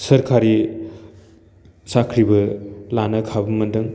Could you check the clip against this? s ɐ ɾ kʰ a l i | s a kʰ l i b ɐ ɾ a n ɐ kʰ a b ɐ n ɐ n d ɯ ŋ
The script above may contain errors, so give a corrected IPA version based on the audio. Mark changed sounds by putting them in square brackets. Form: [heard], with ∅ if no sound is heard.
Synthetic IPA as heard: s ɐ ɾ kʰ a [ɾ] i | s a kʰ [ɾ] i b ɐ [l] a n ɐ kʰ a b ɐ [m] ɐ n d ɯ ŋ